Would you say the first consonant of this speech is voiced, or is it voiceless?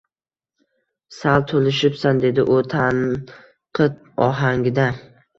voiceless